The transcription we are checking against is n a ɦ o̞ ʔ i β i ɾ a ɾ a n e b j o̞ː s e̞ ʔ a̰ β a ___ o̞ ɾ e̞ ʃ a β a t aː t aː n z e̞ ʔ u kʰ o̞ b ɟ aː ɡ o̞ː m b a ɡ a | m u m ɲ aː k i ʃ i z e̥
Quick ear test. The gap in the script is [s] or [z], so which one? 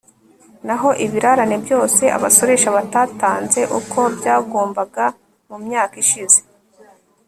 s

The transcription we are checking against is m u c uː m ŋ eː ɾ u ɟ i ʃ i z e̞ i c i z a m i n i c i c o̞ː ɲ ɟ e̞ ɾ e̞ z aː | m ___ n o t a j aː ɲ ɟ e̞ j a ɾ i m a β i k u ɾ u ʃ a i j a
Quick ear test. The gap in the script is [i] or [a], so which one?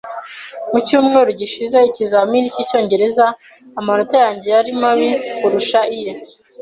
a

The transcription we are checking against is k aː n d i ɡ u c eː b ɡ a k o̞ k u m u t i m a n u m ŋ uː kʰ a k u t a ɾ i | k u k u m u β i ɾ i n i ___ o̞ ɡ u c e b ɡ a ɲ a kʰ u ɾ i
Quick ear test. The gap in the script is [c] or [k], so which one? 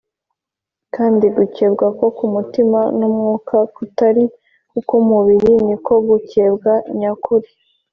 k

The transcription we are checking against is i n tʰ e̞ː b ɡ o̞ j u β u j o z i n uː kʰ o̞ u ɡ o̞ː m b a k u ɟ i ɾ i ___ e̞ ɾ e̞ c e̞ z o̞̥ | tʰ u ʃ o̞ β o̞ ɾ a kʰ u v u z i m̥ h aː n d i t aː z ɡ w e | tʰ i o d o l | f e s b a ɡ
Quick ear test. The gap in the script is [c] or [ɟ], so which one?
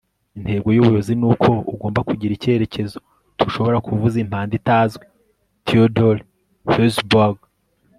c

